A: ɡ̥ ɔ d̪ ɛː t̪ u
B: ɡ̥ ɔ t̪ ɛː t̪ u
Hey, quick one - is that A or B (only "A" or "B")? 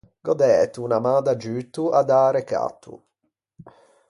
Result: A